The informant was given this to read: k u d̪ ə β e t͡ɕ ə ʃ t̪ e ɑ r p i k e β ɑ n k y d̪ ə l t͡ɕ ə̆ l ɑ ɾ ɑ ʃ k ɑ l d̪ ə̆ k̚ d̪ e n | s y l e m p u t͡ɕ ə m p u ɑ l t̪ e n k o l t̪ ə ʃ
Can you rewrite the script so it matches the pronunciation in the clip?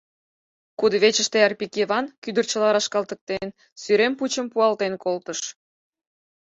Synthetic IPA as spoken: k u d̪ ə β e t͡ɕ ə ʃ t̪ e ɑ r p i k e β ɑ n k y d̪ ə r t͡ɕ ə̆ l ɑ ɾ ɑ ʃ k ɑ l t̪ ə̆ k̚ t̪ e n | s y ɾ e m p u t͡ɕ ə m p u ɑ l t̪ e n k o l t̪ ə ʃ